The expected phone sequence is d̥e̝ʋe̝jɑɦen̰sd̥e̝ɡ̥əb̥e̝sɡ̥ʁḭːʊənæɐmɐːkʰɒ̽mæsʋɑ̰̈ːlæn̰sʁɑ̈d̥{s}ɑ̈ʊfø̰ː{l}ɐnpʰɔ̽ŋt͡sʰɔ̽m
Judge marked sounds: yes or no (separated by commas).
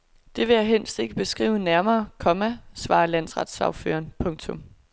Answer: yes, no